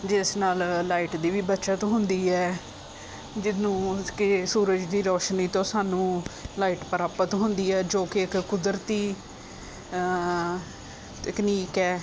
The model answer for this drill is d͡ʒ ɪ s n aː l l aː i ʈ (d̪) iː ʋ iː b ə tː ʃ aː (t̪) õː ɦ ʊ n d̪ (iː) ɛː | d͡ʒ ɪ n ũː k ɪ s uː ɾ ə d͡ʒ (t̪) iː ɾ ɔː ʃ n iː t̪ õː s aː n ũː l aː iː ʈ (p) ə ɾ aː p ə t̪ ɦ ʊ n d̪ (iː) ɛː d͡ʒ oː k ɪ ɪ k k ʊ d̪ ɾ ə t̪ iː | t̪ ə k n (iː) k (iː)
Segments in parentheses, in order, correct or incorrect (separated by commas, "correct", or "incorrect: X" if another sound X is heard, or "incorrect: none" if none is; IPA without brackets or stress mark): correct, correct, correct, incorrect: d̪, correct, correct, correct, incorrect: ɛː